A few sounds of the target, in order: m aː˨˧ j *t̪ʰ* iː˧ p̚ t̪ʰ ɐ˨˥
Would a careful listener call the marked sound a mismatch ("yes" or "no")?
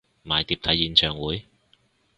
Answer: yes